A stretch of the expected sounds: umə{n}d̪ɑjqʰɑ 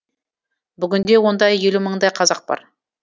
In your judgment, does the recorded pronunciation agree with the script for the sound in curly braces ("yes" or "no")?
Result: no